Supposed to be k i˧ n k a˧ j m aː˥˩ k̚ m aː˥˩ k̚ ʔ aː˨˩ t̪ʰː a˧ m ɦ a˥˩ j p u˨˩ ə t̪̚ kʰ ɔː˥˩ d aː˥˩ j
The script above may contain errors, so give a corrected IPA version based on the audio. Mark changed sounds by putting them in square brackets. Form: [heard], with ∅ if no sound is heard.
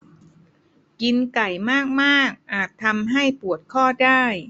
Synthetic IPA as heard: k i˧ n k [a˨˩] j m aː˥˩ k̚ m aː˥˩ k̚ ʔ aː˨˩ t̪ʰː a˧ m ɦ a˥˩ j p u˨˩ ə t̪̚ kʰ ɔː˥˩ d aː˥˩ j